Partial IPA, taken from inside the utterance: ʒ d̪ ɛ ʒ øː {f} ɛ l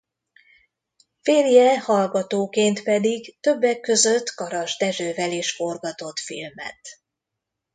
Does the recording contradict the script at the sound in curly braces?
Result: yes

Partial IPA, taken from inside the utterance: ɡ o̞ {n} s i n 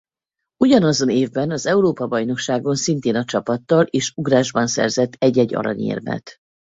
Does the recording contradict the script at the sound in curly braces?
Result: no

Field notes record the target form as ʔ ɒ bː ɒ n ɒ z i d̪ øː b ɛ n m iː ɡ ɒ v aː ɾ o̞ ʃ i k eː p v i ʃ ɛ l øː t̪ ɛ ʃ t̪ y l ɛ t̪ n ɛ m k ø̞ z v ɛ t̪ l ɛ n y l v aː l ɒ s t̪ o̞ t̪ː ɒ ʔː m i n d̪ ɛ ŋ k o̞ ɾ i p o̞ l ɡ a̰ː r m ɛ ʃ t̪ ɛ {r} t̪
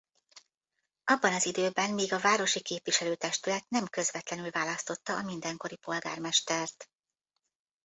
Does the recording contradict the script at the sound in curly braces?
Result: no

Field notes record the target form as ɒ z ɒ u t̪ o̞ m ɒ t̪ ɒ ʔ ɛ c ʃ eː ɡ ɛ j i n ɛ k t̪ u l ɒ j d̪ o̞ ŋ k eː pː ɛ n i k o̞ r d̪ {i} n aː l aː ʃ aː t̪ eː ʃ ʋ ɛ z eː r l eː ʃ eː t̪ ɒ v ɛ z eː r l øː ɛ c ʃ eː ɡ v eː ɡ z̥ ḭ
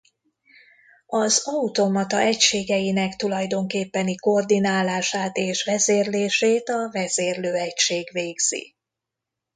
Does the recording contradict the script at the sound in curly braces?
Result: no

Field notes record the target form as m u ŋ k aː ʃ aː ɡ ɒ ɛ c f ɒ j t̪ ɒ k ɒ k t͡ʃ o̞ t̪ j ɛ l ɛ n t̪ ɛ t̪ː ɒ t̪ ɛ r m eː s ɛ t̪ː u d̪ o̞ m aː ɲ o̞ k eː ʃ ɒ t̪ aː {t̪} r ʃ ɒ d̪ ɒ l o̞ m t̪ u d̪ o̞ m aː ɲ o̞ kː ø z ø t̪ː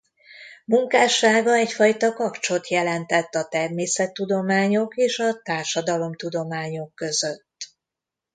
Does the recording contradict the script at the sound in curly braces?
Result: yes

